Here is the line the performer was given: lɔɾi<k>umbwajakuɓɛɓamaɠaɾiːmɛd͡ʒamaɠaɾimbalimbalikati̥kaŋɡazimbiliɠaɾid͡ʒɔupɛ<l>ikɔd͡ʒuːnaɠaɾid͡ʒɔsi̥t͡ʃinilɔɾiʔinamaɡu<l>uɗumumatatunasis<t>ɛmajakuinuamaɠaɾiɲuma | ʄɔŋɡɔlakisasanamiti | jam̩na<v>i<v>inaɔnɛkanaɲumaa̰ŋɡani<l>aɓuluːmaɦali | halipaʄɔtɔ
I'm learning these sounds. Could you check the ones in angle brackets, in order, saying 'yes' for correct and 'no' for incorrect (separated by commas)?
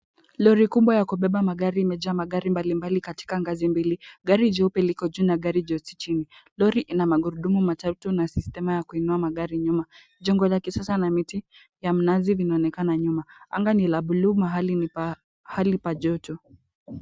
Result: yes, yes, no, yes, no, yes, yes